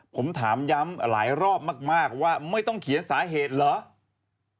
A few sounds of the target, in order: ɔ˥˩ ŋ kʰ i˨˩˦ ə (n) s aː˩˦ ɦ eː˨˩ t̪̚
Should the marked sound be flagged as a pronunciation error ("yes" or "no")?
no